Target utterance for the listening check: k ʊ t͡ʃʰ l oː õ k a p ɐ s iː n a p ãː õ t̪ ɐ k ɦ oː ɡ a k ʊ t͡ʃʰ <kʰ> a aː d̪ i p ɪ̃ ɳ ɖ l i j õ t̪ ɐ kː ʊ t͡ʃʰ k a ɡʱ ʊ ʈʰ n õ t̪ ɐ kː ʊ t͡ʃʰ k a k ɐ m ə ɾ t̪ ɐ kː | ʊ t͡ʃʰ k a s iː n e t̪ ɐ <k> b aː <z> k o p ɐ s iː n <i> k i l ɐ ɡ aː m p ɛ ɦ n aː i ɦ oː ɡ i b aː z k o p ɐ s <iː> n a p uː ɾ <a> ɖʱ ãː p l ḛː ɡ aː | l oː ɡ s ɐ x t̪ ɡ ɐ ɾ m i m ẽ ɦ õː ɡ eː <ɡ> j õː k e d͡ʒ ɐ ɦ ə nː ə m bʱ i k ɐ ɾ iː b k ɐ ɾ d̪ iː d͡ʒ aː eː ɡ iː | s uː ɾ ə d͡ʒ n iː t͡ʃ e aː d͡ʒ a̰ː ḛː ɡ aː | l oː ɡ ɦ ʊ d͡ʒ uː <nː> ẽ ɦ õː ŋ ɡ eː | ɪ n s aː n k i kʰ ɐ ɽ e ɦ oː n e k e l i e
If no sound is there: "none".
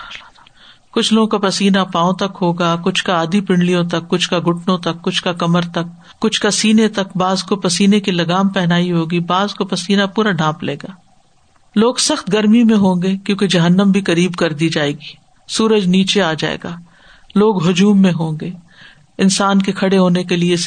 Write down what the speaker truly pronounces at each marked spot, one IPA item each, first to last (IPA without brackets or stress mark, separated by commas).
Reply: k, k, z, e, iː, a, k, mː